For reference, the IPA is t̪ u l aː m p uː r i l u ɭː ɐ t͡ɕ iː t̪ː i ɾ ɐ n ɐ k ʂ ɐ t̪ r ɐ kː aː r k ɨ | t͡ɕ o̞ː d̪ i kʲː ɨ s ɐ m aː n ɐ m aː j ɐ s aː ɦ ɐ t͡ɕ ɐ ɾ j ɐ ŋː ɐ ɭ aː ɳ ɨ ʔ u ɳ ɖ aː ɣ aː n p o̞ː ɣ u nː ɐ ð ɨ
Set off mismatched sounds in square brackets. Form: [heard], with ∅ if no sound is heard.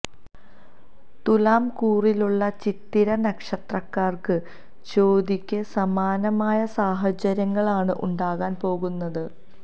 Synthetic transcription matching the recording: t̪ u l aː m [k] uː r i l u ɭː ɐ t͡ɕ [i] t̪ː i ɾ ɐ n ɐ k ʂ ɐ t̪ r ɐ kː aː r k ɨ | t͡ɕ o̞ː d̪ i kʲː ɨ s ɐ m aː n ɐ m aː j ɐ s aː ɦ ɐ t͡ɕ ɐ ɾ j ɐ ŋː ɐ ɭ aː ɳ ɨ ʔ u ɳ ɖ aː ɣ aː n p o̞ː ɣ u nː ɐ ð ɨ